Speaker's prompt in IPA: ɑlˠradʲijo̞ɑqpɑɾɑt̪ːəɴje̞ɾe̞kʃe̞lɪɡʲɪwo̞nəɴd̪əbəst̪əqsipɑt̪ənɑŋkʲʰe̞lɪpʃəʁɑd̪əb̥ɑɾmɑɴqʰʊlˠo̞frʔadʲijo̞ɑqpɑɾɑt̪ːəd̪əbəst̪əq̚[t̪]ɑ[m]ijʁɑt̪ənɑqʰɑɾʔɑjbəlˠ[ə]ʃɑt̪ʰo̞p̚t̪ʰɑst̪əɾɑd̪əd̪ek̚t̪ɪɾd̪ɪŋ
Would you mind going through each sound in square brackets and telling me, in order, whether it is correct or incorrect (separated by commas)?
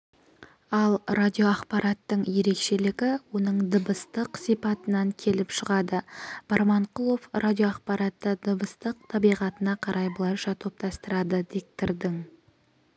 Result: incorrect, incorrect, incorrect